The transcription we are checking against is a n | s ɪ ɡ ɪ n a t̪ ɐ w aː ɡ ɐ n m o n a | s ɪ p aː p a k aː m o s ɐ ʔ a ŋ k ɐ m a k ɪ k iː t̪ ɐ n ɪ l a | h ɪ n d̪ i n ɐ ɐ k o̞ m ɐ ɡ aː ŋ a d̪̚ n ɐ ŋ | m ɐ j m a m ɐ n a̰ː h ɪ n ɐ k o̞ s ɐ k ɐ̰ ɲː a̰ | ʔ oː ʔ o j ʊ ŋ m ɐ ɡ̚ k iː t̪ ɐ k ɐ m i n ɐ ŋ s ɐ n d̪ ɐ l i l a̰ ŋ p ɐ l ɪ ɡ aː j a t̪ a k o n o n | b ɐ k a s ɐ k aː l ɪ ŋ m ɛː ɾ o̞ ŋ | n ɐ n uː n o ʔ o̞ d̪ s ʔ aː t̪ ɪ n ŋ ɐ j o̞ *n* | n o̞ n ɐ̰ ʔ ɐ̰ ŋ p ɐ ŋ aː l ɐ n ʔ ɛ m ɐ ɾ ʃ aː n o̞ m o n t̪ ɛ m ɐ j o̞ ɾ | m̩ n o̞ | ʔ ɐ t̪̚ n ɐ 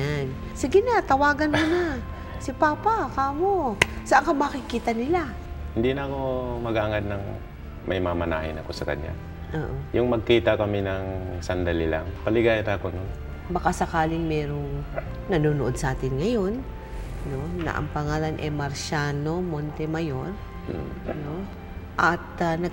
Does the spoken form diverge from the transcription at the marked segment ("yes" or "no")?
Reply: no